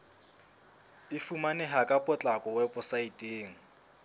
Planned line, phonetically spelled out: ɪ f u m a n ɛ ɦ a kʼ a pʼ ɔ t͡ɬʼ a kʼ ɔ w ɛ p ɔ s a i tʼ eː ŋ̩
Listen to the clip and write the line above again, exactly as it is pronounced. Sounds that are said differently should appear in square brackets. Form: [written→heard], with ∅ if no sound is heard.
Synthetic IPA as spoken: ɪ f u m a n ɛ ɦ a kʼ a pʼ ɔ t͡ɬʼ a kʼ ɔ w ɛ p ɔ s a i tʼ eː ŋ̩